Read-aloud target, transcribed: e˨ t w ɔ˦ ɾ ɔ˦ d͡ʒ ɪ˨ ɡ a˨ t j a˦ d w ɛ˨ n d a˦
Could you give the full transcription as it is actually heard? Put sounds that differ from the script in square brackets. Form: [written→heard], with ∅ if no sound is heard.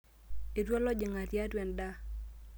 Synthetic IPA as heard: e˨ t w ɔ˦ [ɾ→l] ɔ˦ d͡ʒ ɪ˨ [ɡ→ŋ] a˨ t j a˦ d w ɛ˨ n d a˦

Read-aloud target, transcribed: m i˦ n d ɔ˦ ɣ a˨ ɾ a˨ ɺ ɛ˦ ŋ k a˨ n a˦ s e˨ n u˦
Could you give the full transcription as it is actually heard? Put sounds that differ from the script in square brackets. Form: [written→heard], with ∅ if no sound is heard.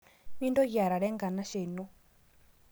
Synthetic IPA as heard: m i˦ n d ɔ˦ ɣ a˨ ɾ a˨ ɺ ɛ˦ ŋ [k→ɡ] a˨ n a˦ [s→ʃ] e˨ n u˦

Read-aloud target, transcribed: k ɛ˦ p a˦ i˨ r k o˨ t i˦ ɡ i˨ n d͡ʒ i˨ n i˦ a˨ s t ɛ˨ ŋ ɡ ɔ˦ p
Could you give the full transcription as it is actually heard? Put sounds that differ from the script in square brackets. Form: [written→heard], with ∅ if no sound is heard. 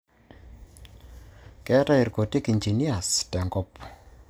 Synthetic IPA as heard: k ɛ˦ [p→t] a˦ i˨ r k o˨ t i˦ [ɡ→k] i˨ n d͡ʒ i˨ n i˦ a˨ s t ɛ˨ ŋ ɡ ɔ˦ p

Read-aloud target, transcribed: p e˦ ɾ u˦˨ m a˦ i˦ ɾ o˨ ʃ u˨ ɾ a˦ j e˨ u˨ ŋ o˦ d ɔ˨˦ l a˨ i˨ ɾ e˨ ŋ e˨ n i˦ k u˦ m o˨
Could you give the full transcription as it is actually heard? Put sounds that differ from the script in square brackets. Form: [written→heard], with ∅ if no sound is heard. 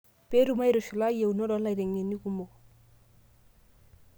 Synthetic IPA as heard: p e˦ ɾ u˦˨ m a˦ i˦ ɾ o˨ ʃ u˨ [ɾ→l] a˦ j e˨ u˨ [ŋ→n] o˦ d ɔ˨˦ l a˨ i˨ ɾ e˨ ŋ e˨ n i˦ k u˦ m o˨

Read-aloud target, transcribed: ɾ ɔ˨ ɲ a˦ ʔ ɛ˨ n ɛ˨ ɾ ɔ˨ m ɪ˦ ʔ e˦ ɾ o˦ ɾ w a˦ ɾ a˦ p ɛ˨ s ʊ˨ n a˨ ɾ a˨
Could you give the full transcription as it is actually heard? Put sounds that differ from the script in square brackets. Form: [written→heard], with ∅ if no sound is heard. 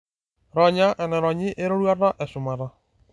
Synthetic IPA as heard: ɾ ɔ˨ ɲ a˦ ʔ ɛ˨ n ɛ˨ ɾ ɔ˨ [m→ɲ] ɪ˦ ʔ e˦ ɾ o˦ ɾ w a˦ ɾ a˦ [p→ʔ] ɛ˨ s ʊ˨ [n→m] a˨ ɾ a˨

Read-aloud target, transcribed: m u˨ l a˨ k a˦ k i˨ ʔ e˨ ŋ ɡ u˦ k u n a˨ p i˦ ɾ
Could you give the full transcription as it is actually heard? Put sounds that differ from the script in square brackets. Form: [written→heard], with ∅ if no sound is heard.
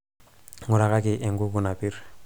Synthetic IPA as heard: [m→ŋ] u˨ [l→ɾ] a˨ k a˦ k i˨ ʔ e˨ ŋ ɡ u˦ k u n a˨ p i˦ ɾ

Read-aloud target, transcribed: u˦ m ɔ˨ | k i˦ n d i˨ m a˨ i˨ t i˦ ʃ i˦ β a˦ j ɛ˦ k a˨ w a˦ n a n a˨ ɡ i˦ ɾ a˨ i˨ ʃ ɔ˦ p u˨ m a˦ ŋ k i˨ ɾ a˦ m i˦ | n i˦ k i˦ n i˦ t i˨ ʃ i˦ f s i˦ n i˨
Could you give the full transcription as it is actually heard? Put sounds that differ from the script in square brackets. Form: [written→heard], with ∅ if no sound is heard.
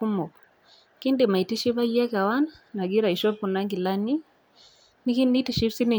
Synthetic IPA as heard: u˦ m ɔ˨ | k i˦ n d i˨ m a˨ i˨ t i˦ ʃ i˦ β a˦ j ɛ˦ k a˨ w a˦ n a n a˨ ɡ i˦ ɾ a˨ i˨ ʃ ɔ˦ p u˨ [m→n] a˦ ŋ [k→ɡ] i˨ [ɾ→l] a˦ [m→n] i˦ | n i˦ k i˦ n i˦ t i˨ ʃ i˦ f s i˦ n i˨

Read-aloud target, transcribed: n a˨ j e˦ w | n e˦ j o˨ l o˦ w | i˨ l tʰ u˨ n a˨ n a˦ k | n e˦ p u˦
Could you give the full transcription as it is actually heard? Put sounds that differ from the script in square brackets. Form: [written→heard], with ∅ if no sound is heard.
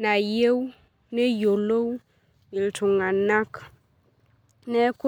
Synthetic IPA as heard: n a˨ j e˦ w | n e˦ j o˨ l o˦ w | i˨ l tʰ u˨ [n→ŋ] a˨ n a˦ k | n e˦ [p→k] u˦

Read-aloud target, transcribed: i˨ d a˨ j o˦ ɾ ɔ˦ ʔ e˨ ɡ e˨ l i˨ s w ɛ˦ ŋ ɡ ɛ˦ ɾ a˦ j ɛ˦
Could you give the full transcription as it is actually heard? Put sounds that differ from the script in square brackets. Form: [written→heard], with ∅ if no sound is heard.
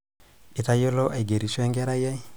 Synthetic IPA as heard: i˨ [d→t] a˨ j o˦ [ɾ→l] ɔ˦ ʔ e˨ ɡ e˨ [l→ɾ] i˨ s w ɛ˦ ŋ ɡ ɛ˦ ɾ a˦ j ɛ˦

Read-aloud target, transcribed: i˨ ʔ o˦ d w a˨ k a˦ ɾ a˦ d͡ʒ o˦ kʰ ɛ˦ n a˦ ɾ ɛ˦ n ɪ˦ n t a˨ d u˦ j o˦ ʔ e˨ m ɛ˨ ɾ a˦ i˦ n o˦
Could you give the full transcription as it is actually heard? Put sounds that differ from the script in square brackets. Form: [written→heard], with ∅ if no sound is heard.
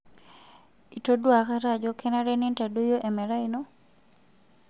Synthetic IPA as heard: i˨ [ʔ→t] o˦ d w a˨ k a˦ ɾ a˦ d͡ʒ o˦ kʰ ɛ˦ n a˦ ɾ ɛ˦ n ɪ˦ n t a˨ d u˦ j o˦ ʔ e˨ m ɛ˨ ɾ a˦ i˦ n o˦

